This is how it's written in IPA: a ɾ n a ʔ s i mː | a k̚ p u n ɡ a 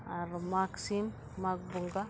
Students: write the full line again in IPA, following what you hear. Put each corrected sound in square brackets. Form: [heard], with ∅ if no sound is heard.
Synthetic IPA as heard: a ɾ [m] a [k] s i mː | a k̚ [b] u [ŋ] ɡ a